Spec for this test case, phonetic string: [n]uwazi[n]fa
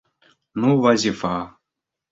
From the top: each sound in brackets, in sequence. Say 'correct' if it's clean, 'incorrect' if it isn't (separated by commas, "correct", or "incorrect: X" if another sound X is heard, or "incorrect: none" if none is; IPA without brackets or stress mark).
correct, incorrect: none